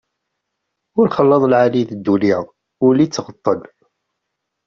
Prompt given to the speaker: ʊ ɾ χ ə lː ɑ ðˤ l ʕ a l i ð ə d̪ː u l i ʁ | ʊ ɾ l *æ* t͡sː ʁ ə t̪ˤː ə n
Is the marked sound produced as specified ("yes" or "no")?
no